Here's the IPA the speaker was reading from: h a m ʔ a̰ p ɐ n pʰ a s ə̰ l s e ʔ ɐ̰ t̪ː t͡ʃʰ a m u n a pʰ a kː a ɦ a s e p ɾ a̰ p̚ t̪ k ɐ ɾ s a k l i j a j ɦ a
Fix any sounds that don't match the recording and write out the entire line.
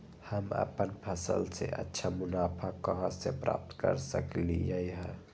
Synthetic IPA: h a m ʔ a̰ p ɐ n pʰ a s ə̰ l s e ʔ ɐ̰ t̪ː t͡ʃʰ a m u n a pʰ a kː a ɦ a s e p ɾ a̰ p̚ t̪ k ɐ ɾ s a k l i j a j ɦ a